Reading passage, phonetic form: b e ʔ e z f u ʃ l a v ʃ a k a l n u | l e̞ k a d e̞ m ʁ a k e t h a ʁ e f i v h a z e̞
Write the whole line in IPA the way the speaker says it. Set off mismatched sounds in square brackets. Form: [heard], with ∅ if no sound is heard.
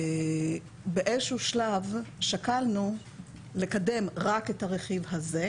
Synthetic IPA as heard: b e ʔ e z [ʃ] u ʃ l a v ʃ a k a l n u | l e̞ k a d e̞ m ʁ a k e t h a ʁ e [χ] i v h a z e̞